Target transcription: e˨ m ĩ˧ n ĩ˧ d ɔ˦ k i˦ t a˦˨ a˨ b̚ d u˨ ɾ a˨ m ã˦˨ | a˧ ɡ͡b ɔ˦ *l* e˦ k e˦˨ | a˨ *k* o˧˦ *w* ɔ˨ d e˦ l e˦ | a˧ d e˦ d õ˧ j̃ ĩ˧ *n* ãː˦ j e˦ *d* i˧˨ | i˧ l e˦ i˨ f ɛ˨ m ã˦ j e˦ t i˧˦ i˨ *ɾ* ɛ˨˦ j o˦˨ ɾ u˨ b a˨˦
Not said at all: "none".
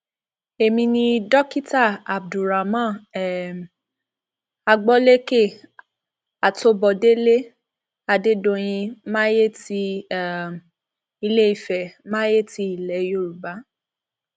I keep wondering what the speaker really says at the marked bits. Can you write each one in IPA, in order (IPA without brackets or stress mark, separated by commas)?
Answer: l, t, b, m, t, l